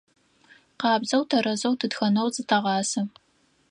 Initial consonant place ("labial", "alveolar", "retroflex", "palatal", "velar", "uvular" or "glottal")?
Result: uvular